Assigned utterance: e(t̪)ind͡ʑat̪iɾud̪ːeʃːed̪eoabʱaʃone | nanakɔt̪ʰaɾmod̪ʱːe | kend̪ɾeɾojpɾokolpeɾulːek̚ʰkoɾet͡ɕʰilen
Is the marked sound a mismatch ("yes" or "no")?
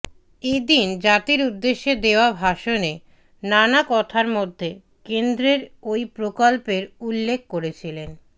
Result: yes